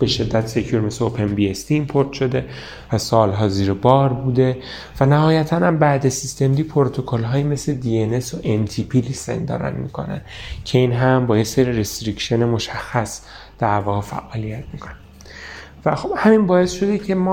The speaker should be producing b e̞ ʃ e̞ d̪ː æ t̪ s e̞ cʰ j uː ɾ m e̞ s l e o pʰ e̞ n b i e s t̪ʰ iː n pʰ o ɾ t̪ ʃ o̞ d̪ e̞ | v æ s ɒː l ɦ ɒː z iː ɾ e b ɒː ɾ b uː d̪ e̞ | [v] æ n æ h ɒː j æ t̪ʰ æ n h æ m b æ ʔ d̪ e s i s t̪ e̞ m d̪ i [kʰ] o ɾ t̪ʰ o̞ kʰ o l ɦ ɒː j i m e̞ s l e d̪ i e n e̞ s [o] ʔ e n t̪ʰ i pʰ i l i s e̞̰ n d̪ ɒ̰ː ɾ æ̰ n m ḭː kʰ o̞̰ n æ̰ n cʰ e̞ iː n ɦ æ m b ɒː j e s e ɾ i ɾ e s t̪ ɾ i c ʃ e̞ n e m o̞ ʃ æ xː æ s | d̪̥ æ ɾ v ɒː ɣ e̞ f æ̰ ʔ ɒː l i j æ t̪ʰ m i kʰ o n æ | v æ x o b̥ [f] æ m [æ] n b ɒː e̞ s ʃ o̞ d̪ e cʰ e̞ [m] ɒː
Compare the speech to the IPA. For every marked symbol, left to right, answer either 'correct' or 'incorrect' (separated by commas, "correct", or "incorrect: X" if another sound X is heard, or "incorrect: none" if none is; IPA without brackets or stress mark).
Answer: correct, incorrect: pʰ, correct, incorrect: h, incorrect: i, correct